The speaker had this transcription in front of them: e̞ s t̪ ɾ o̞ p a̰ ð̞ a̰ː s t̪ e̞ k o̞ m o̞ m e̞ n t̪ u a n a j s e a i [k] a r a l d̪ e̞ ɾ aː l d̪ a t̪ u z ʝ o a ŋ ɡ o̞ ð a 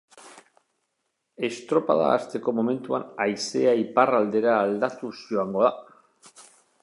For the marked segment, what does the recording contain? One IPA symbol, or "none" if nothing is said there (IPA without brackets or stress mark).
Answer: p